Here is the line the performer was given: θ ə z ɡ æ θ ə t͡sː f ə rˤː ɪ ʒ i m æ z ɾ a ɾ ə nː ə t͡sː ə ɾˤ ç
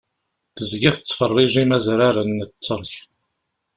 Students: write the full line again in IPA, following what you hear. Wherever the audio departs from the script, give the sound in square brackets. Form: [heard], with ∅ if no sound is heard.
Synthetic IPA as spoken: θ ə z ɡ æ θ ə t͡sː f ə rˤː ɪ ʒ i m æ z ɾ a ɾ ə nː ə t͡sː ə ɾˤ ç